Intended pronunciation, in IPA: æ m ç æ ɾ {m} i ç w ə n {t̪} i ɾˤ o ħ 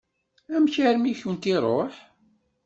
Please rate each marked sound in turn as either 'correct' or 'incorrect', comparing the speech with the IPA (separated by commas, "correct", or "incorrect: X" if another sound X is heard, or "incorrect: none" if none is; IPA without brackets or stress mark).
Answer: correct, correct